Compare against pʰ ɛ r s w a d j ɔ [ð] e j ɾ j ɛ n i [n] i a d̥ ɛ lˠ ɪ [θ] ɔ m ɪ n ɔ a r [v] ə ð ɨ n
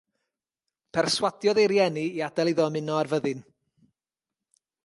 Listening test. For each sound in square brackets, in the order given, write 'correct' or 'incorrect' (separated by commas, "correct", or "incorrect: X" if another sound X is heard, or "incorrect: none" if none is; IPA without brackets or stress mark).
correct, incorrect: none, incorrect: ð, correct